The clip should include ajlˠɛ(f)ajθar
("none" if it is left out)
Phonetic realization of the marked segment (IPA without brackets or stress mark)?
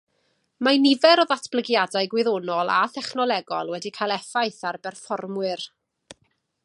f